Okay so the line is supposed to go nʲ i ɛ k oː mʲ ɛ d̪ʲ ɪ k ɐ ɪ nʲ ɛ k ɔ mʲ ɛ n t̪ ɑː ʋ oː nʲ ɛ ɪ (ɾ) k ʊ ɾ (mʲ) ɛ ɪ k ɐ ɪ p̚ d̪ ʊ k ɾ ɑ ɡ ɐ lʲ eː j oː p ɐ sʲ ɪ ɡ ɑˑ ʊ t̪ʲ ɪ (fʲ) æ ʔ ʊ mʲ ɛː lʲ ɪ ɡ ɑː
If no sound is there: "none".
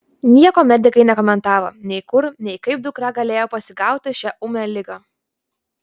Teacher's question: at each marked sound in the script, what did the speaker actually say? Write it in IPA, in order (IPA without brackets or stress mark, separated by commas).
none, nʲ, ʃʲ